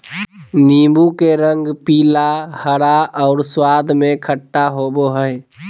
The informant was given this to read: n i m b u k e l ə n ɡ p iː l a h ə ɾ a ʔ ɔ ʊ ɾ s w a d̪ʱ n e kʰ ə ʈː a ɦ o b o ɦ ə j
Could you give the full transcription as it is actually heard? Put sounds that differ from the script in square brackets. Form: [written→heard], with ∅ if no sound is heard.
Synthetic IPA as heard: n i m b u k e [l→ɾ] ə [n→ŋ] ɡ p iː l a h ə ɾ a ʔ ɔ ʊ ɾ s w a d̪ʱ [n→m] e kʰ ə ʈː a ɦ o b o ɦ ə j